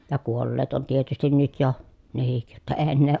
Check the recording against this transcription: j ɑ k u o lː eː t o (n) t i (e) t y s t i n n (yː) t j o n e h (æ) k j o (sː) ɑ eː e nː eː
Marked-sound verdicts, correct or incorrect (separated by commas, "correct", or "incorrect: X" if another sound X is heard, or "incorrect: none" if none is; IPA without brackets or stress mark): correct, correct, incorrect: y, incorrect: i, incorrect: tː